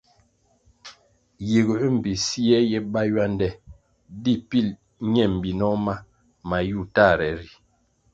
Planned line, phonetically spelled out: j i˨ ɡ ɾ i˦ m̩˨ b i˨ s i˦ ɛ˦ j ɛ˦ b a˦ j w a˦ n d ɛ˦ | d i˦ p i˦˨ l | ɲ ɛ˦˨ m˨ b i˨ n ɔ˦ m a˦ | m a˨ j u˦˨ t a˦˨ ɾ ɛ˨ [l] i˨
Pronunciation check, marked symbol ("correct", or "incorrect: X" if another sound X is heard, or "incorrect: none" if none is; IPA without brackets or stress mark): incorrect: ɾ